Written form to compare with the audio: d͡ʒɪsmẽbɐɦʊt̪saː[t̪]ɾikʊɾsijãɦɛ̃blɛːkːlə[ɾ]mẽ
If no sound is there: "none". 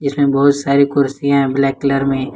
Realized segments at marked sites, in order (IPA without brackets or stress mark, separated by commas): none, ɾ